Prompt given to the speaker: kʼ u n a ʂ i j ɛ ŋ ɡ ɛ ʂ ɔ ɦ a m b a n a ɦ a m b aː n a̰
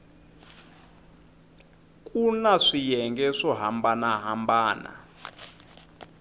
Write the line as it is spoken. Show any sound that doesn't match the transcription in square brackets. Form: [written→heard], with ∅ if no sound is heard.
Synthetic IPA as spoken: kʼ u n a ʂ i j ɛ ŋ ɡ ɛ ʂ ɔ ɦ a m b a n a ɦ a m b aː n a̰